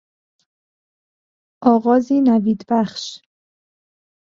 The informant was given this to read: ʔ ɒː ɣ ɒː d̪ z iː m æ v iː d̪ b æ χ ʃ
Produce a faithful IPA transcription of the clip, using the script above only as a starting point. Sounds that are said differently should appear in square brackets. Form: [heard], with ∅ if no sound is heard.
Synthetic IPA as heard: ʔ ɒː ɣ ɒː [∅] z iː [n] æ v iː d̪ b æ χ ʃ